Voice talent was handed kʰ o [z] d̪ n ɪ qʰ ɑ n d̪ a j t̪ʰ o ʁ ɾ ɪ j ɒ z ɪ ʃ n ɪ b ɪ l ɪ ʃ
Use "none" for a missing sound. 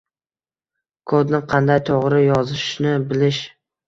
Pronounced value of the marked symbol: none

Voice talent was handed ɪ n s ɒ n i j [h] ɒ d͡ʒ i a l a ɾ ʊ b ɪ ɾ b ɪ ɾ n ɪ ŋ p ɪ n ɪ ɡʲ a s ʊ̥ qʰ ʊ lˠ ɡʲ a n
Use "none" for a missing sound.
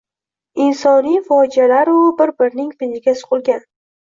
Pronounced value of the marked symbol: f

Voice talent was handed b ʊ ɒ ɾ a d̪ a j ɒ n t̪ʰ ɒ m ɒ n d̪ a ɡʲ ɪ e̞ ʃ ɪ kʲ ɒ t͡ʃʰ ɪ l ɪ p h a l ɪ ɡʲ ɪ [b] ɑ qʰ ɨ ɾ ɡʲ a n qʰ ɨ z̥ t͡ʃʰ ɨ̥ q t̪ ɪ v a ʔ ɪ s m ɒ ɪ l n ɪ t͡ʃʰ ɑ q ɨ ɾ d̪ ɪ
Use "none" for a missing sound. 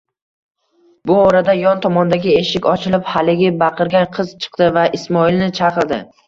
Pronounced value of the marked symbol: b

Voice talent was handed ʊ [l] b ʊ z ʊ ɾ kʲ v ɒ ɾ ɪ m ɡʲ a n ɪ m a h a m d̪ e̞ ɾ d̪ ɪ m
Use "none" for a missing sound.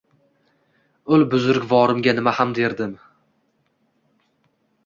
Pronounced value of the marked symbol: l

